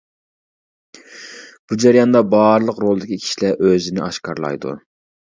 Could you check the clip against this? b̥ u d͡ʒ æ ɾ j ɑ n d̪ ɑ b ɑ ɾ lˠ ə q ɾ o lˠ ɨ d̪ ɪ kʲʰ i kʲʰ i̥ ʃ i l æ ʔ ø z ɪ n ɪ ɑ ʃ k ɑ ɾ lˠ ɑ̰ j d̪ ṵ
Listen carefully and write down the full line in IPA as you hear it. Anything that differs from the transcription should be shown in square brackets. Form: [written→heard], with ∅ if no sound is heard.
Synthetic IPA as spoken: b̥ u d͡ʒ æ ɾ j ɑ n d̪ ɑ b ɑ ɾ lˠ ə q ɾ o lˠ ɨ d̪ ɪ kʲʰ i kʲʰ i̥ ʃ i l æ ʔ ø z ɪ n ɪ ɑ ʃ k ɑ ɾ lˠ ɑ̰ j d̪ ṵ